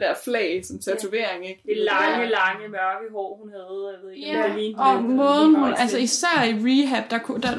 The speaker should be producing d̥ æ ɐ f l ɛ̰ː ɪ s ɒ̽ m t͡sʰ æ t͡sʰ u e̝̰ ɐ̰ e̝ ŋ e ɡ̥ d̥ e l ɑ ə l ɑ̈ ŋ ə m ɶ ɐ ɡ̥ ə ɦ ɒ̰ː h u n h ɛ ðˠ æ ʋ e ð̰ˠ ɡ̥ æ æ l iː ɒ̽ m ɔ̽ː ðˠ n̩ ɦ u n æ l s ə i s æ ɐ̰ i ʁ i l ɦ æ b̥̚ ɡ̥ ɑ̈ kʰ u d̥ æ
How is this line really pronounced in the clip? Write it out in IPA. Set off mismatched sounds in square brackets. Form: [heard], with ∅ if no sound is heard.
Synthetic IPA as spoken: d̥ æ ɐ f l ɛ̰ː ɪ s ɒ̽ m t͡sʰ æ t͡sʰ u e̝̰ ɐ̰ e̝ ŋ e ɡ̥ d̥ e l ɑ ə l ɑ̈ ŋ ə m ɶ ɐ ɡ̥ ə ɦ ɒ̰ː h u n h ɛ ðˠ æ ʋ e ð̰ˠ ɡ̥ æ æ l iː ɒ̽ m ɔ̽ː ðˠ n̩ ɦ u n æ l s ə i s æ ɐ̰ i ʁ i [∅] ɦ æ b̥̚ [d̥] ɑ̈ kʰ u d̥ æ